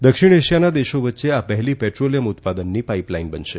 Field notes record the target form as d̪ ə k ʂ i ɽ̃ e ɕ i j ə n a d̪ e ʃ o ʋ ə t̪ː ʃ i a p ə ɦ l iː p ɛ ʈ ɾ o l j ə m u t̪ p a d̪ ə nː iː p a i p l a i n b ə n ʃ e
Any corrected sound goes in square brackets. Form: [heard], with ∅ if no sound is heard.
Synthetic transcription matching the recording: d̪ ə k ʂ i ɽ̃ e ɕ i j [a] n a d̪ e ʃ o ʋ ə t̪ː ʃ [e] a p ə ɦ l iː p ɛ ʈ ɾ o l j ə m u t̪ p a d̪ ə nː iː p a i p l a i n b ə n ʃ e